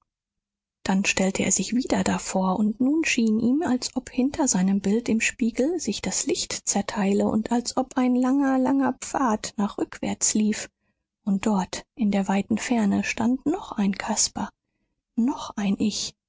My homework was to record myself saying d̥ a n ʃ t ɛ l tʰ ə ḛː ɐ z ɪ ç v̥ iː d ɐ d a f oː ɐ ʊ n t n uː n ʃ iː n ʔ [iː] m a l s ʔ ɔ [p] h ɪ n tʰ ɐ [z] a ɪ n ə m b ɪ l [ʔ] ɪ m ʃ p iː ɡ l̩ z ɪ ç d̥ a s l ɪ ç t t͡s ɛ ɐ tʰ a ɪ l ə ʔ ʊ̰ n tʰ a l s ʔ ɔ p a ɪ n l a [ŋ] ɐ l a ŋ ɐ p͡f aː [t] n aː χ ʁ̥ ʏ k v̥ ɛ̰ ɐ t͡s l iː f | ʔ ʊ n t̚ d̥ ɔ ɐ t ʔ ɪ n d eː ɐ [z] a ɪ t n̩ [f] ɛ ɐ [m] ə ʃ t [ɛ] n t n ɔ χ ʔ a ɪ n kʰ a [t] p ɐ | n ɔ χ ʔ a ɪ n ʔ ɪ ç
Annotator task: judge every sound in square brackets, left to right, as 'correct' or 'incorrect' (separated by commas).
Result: correct, correct, correct, incorrect, correct, correct, incorrect, correct, incorrect, incorrect, incorrect